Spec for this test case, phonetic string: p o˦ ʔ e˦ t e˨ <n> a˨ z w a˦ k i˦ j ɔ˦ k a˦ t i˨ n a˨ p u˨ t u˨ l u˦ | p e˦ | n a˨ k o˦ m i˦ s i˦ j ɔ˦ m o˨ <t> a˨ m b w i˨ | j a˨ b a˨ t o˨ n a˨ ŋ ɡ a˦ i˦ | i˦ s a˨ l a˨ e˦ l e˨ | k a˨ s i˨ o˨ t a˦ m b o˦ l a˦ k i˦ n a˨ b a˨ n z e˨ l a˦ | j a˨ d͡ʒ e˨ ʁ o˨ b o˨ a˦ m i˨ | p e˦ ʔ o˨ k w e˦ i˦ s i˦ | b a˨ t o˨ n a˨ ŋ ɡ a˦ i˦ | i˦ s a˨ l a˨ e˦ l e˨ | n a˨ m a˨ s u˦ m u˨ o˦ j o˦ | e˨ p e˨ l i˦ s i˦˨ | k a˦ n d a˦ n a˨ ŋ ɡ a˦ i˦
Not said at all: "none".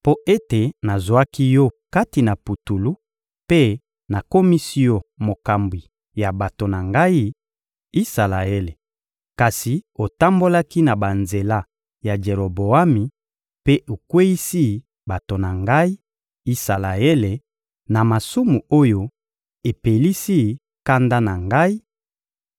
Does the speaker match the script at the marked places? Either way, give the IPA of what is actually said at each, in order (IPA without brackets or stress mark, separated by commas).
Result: n, k